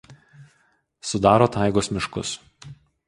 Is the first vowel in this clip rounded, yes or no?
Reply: yes